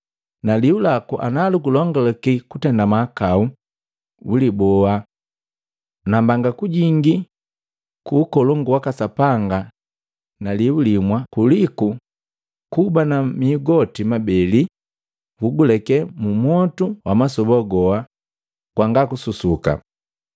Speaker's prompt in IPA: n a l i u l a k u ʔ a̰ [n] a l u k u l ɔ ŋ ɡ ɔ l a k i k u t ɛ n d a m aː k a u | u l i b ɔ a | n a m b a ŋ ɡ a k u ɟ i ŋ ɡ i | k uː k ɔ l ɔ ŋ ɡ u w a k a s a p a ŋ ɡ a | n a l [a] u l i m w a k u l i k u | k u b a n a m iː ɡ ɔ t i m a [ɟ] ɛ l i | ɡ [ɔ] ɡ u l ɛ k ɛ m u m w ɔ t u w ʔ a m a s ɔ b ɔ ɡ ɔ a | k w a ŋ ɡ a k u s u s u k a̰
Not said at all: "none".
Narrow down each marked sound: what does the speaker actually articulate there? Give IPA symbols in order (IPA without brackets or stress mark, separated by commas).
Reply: n, i, b, u